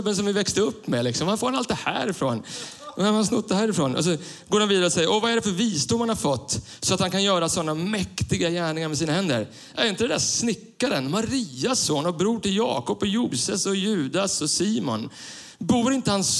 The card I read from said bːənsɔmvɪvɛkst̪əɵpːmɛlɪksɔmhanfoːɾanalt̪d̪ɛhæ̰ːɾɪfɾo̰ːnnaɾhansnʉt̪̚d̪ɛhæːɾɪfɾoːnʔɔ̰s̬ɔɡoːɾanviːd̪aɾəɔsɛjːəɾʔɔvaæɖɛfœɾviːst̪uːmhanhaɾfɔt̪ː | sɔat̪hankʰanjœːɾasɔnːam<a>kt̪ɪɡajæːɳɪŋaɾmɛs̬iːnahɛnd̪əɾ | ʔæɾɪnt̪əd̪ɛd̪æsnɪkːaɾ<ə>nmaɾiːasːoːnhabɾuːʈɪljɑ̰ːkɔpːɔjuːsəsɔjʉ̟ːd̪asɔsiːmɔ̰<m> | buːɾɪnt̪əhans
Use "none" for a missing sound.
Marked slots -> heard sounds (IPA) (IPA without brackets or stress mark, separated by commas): ɛ, ə, n